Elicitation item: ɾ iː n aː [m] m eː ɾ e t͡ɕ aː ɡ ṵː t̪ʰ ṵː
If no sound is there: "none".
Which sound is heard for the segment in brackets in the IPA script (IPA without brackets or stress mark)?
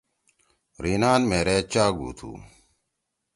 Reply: n